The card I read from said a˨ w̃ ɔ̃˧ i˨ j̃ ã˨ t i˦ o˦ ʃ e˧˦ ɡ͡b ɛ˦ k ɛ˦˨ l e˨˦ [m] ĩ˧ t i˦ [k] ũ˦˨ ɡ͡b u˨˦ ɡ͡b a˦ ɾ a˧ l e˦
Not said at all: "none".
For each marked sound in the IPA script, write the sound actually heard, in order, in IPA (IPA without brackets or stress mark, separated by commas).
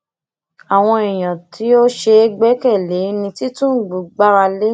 n, t